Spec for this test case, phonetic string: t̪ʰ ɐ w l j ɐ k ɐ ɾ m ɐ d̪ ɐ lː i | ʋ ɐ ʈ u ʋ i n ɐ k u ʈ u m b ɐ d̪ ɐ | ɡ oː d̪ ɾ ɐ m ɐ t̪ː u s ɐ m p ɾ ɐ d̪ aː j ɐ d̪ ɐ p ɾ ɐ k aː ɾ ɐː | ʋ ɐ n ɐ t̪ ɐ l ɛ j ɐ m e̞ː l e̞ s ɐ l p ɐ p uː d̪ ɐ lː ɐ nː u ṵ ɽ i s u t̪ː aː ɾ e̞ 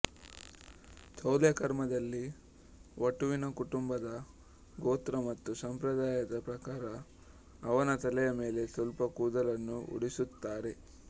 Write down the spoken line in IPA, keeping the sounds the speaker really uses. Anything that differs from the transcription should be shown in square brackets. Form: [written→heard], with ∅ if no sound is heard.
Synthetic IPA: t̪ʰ ɐ w l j ɐ k ɐ ɾ m ɐ d̪ ɐ lː i | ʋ ɐ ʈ u ʋ i n ɐ k u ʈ u m b ɐ d̪ ɐ | ɡ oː [d̪→t̪] ɾ ɐ m ɐ t̪ː u s ɐ m p ɾ ɐ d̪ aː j ɐ d̪ ɐ p ɾ ɐ k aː ɾ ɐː | ʋ ɐ n ɐ t̪ ɐ l ɛ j ɐ m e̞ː l e̞ s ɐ l p ɐ [p→k] uː d̪ ɐ [lː→l] ɐ nː u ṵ ɽ i s u t̪ː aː ɾ e̞

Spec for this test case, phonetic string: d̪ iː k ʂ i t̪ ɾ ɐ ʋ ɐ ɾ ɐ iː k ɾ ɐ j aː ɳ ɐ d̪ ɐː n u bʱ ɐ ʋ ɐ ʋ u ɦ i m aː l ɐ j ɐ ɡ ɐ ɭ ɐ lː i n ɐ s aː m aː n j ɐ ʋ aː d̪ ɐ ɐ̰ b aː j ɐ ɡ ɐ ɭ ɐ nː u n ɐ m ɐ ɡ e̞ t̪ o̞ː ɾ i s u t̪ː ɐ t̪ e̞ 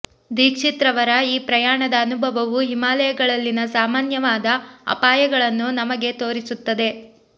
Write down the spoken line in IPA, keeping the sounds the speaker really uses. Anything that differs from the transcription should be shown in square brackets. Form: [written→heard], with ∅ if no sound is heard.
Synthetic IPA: d̪ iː k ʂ i t̪ ɾ ɐ ʋ ɐ ɾ ɐ iː [k→p] ɾ ɐ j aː ɳ ɐ d̪ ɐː n u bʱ ɐ ʋ ɐ ʋ u ɦ i m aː l ɐ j ɐ ɡ ɐ ɭ ɐ lː i n ɐ s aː m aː n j ɐ ʋ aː d̪ ɐ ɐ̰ [b→p] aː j ɐ ɡ ɐ ɭ ɐ nː u n ɐ m ɐ ɡ e̞ t̪ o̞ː ɾ i s u t̪ː ɐ [t̪→d̪] e̞

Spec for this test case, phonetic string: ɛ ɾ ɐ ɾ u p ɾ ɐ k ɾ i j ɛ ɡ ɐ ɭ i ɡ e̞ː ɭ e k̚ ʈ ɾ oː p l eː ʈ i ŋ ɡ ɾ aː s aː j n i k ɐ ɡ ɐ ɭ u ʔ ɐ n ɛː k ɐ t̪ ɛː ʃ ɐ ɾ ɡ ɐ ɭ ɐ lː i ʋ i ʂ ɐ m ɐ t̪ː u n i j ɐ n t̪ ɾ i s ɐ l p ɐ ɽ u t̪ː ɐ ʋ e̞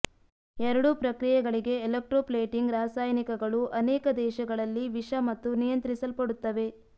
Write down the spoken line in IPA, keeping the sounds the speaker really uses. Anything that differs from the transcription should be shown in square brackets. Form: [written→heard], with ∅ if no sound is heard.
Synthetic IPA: ɛ ɾ ɐ [ɾ→ɽ] u p ɾ ɐ k ɾ i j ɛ ɡ ɐ ɭ i ɡ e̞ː [ɭ→l] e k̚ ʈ ɾ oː p l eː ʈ i ŋ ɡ ɾ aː s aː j n i k ɐ ɡ ɐ ɭ u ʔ ɐ n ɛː k ɐ [t̪→d̪] ɛː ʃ ɐ [ɾ→∅] ɡ ɐ ɭ ɐ lː i ʋ i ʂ ɐ m ɐ t̪ː u n i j ɐ n t̪ ɾ i s ɐ l p ɐ ɽ u t̪ː ɐ ʋ e̞

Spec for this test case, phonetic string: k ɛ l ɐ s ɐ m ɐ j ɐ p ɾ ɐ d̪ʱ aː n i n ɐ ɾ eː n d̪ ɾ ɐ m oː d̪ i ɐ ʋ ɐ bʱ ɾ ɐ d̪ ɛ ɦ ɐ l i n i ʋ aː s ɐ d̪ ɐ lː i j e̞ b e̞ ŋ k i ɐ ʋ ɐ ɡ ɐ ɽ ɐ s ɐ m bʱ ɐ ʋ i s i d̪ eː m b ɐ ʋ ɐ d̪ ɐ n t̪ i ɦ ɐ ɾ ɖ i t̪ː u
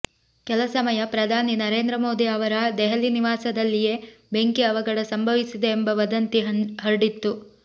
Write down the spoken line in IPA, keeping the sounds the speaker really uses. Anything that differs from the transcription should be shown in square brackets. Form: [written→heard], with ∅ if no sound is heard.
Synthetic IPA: k ɛ l ɐ s ɐ m ɐ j ɐ p ɾ ɐ d̪ʱ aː n i n ɐ ɾ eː n d̪ ɾ ɐ m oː d̪ i ɐ ʋ ɐ [bʱ→∅] ɾ ɐ d̪ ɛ ɦ ɐ l i n i ʋ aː s ɐ d̪ ɐ lː i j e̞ b e̞ ŋ k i ɐ ʋ ɐ ɡ ɐ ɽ ɐ s ɐ m bʱ ɐ ʋ i s i d̪ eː m b ɐ ʋ ɐ d̪ ɐ n t̪ i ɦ ɐ ɾ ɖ i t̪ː u

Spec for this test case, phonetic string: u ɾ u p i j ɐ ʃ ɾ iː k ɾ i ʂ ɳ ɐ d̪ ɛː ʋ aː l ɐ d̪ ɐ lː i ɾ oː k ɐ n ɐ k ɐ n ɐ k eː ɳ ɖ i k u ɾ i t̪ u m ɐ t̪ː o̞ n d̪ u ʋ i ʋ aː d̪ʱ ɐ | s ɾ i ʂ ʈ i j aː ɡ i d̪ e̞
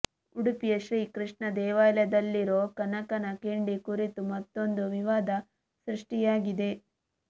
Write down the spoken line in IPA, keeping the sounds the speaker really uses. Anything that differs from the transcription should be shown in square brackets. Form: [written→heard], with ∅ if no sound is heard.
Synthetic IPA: u [ɾ→ɽ] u p i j ɐ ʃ ɾ iː k ɾ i ʂ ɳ ɐ d̪ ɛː ʋ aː l ɐ d̪ ɐ lː i ɾ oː k ɐ n ɐ k ɐ n ɐ k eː ɳ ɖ i k u ɾ i t̪ u m ɐ t̪ː o̞ n d̪ u ʋ i ʋ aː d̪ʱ ɐ | s ɾ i ʂ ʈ i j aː ɡ i d̪ e̞

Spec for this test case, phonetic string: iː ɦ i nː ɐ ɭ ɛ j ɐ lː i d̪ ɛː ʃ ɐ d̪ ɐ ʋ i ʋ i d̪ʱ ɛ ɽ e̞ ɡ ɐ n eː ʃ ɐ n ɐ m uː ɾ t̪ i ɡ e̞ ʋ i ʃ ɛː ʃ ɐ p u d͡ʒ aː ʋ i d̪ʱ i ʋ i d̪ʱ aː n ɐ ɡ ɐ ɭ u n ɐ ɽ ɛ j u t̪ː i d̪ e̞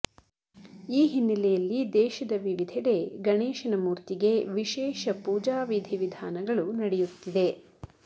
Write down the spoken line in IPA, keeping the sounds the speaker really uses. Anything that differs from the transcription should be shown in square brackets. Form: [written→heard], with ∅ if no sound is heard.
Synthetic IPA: iː ɦ i nː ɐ [ɭ→l] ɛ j ɐ lː i d̪ ɛː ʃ ɐ d̪ ɐ ʋ i ʋ i d̪ʱ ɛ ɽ e̞ ɡ ɐ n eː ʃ ɐ n ɐ m uː ɾ t̪ i ɡ e̞ ʋ i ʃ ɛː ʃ ɐ p [u→uː] d͡ʒ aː ʋ i d̪ʱ i ʋ i d̪ʱ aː n ɐ ɡ ɐ ɭ u n ɐ ɽ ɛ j u t̪ː i d̪ e̞

